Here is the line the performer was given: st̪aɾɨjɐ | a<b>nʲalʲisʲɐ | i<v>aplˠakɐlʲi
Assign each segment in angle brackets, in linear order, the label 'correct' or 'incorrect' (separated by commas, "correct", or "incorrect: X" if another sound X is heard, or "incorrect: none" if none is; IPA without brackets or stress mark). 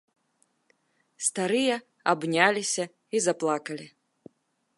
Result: correct, incorrect: z